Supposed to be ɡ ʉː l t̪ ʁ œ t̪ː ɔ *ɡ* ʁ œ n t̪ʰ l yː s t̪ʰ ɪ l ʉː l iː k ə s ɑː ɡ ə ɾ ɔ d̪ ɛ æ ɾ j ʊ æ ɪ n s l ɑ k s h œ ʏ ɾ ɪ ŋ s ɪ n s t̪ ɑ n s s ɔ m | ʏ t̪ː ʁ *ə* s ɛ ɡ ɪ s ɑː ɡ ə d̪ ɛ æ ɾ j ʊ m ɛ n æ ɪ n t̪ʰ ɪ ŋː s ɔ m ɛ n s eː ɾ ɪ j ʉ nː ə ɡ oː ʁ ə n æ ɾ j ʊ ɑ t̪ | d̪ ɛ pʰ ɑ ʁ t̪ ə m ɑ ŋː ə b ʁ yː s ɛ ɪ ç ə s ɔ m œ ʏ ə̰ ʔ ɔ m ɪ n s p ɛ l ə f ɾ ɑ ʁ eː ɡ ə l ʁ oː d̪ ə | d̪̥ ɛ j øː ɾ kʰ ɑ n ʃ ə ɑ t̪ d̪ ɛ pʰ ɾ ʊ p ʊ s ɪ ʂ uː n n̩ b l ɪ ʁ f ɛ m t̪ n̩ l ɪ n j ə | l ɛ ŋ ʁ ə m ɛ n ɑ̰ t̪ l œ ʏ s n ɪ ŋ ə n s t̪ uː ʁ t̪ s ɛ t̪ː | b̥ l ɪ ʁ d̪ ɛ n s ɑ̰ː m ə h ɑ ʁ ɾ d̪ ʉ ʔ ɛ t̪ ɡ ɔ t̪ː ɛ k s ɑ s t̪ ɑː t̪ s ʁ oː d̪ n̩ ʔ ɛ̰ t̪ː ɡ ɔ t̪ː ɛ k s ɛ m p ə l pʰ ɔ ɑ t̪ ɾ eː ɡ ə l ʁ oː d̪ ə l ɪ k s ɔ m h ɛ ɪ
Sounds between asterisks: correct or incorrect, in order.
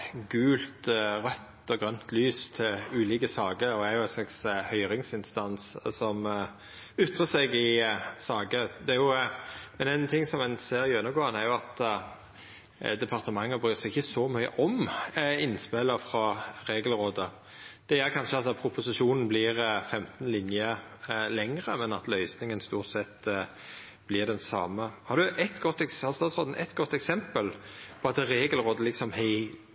correct, correct

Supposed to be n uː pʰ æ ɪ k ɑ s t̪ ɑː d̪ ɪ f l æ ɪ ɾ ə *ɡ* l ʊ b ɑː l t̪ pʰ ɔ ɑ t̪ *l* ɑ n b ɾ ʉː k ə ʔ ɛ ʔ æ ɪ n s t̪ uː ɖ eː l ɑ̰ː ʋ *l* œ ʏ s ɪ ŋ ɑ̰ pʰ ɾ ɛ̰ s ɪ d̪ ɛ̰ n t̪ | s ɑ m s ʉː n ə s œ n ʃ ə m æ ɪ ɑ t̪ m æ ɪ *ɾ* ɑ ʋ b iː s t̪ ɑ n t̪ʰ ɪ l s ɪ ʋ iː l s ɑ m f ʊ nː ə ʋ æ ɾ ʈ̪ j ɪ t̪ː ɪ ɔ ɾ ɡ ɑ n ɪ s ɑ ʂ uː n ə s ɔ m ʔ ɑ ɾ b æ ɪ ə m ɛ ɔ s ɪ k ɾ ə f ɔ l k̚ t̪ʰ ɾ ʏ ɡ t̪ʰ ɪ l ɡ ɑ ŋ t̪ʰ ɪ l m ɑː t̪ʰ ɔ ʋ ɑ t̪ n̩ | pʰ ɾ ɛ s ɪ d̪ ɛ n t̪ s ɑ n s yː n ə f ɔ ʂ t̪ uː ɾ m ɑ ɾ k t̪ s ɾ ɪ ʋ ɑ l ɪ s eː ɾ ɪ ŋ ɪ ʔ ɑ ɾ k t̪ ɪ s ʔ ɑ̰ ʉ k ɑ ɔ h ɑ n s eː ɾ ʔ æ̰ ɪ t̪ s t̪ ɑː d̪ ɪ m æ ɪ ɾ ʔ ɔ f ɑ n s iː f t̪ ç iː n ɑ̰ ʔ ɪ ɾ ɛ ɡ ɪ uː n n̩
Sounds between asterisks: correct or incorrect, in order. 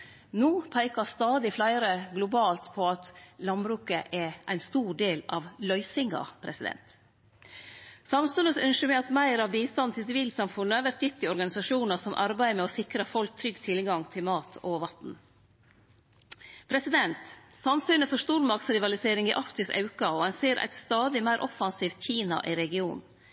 correct, correct, correct, correct

